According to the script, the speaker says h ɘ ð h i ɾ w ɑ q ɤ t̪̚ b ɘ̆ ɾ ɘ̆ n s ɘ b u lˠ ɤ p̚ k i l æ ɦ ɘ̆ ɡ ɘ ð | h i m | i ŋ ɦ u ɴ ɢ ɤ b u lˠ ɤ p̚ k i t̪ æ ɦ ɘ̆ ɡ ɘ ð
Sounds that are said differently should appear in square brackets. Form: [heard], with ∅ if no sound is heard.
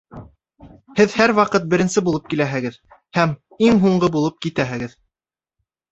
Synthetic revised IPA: h ɘ ð h [æ] ɾ w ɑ q ɤ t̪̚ b ɘ̆ ɾ ɘ̆ n s ɘ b u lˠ ɤ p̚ k i l æ ɦ ɘ̆ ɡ ɘ ð | h [æ] m | i ŋ ɦ u ɴ ɢ ɤ b u lˠ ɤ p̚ k i t̪ æ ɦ ɘ̆ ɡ ɘ ð